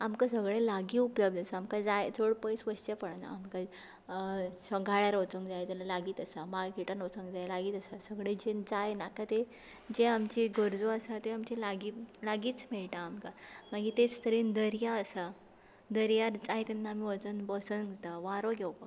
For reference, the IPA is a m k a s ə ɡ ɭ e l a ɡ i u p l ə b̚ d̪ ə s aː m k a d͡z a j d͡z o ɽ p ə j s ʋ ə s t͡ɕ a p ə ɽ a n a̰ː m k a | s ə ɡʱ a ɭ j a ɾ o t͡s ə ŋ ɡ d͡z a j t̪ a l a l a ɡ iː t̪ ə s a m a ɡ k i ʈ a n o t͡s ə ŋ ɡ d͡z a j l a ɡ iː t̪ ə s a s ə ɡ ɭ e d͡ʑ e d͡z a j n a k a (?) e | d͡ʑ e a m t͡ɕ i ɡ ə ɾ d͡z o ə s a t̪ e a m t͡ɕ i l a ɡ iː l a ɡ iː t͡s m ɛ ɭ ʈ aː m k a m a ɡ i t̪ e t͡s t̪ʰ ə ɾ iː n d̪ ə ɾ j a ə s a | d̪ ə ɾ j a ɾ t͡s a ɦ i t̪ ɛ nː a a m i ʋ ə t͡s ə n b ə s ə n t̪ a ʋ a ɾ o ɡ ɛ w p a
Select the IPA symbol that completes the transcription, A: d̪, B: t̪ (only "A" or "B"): B